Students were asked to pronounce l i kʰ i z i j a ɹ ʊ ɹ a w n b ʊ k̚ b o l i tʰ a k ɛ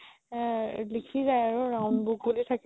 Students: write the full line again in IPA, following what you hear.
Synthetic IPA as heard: l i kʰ i z a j a ɹ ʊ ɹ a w n b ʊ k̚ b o l i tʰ a k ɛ